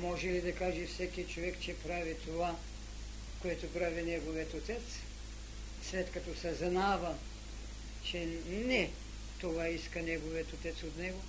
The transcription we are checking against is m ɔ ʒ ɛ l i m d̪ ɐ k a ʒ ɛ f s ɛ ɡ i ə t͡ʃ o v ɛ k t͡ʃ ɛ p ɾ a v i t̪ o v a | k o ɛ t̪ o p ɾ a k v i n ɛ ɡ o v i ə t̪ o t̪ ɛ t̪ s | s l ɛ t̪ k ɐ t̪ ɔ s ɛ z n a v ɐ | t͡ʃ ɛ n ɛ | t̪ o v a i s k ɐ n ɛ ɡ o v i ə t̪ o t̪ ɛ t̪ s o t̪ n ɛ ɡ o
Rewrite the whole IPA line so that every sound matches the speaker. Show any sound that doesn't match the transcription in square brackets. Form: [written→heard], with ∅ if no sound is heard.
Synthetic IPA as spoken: m ɔ ʒ ɛ l i [m→∅] d̪ ɐ k a ʒ ɛ f s ɛ [ɡ→k] i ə t͡ʃ o v ɛ k t͡ʃ ɛ p ɾ a v i t̪ o v a | k o ɛ t̪ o p ɾ a [k→∅] v i n ɛ ɡ o v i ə t̪ o t̪ ɛ t̪ s | s l ɛ t̪ k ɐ t̪ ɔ s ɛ z n a v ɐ | t͡ʃ ɛ n ɛ | t̪ o v a i s k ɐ n ɛ ɡ o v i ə t̪ o t̪ ɛ t̪ s o t̪ n ɛ ɡ o